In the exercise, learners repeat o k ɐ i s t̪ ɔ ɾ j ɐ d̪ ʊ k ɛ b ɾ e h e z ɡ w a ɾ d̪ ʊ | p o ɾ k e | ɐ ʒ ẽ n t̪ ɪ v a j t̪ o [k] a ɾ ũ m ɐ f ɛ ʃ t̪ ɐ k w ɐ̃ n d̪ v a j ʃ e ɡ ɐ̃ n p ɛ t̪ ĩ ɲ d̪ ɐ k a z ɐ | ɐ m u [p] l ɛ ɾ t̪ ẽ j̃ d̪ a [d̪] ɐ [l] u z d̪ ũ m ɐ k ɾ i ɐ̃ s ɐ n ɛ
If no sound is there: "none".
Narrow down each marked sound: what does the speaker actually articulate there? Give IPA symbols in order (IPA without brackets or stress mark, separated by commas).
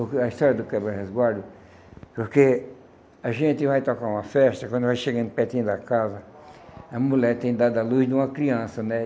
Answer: k, none, d̪, l